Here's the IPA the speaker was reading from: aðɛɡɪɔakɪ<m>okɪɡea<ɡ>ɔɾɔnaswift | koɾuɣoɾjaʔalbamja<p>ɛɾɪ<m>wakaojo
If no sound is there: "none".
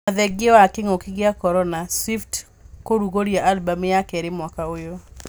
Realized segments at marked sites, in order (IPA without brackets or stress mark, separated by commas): ŋ, k, k, m